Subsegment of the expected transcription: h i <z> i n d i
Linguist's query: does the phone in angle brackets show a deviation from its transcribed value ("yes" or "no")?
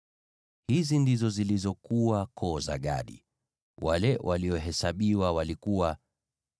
no